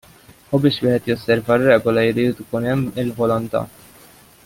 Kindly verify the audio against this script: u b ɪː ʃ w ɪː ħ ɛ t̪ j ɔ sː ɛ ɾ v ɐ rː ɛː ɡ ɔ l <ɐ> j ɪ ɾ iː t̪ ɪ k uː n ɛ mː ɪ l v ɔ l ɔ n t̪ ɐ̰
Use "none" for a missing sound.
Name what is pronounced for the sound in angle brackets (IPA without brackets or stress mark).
ɐ